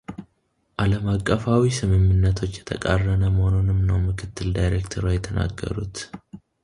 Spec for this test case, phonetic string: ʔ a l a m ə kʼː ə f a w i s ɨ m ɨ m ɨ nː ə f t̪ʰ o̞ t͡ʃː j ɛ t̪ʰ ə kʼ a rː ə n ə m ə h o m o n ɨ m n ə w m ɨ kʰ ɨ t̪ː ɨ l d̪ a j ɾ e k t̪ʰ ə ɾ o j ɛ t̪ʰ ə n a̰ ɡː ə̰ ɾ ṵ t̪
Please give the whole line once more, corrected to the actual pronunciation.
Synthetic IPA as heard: ʔ a l ə m a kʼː ə f a w i s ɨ m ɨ m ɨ nː ə t̪ʰ o̞ t͡ʃː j ɛ t̪ʰ ə kʼ a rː ə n ə m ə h o n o n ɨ m n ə w m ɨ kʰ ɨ t̪ː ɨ l d̪ a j ɾ e k t̪ʰ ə ɾ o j ɛ t̪ʰ ə n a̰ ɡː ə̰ ɾ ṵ t̪